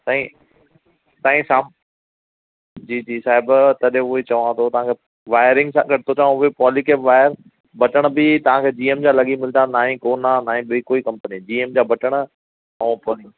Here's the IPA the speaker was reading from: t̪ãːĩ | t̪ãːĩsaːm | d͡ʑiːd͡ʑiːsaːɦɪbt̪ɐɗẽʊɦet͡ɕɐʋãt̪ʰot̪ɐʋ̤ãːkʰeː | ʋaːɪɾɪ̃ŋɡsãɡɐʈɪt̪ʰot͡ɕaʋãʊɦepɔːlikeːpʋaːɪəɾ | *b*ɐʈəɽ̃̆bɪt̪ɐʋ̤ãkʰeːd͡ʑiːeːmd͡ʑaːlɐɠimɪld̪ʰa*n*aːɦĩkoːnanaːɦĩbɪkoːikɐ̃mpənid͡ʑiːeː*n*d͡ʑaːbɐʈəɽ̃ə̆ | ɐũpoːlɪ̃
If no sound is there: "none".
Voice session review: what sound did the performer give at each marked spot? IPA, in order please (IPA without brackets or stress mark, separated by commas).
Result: b, n, m